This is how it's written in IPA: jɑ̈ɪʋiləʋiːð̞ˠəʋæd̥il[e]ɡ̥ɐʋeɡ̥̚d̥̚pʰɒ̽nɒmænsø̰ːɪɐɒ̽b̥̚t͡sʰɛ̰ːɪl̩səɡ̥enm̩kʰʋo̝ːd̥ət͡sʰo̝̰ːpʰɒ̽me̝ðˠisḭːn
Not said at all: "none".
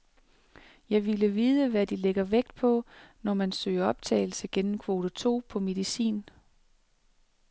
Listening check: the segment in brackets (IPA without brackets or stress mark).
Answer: e